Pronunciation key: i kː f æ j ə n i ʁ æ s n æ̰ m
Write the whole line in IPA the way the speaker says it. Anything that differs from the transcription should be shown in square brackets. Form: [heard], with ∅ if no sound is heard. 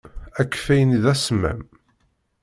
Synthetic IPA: [æ] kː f æ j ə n i [ð] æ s [m] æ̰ m